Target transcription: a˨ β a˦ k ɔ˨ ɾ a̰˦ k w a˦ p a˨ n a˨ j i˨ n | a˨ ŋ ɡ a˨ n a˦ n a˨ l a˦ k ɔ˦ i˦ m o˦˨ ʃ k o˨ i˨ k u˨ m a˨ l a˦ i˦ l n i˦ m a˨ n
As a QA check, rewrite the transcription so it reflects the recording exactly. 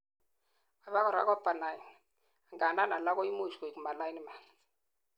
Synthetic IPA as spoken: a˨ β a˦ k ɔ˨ ɾ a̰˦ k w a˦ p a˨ n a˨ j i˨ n | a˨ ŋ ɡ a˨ n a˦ n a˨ l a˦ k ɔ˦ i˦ m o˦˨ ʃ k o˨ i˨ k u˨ m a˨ l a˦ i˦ n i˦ m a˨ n